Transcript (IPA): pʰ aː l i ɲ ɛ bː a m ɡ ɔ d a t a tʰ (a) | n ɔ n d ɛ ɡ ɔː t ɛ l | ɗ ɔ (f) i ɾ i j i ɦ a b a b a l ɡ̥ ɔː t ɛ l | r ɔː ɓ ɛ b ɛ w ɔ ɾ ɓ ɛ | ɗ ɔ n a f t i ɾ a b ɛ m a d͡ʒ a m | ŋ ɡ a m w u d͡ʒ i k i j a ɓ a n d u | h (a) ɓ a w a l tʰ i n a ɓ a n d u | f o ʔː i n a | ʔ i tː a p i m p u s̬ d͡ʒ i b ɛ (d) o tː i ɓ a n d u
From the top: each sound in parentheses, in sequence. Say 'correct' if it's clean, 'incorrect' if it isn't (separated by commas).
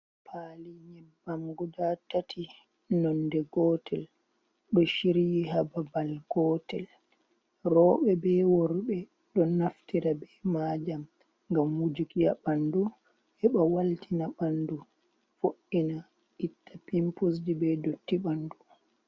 incorrect, incorrect, incorrect, correct